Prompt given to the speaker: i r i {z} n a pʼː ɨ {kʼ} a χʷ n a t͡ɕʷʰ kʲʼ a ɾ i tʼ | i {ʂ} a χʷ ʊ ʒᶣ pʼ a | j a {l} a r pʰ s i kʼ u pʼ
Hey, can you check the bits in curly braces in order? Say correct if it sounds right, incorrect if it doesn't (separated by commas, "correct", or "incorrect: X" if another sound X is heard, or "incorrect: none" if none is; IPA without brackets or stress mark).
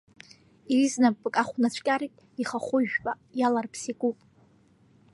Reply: correct, correct, incorrect: χ, correct